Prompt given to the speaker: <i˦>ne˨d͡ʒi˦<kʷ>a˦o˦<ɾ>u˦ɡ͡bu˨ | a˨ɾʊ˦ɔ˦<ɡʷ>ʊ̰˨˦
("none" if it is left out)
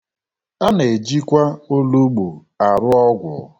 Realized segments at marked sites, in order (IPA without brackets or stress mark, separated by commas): a˦, kʷ, l, ɡʷ